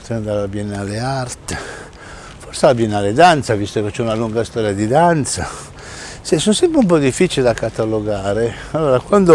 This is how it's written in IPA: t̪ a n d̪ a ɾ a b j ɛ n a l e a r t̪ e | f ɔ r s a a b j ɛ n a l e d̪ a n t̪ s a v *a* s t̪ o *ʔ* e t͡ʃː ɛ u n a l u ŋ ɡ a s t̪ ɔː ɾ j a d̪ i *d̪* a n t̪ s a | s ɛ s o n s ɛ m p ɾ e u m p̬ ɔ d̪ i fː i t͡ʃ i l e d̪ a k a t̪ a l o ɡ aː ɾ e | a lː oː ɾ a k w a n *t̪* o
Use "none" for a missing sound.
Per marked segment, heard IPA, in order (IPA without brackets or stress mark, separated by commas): i, k, d̪, d̪